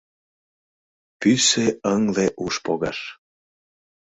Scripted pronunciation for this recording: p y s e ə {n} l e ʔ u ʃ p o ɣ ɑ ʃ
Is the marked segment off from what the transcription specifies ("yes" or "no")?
yes